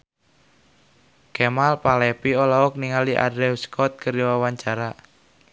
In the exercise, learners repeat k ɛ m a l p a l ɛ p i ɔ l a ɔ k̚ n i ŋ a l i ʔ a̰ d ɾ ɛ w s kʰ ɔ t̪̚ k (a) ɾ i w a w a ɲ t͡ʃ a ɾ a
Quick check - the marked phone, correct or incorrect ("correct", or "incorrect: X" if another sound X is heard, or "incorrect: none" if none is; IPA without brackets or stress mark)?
incorrect: ə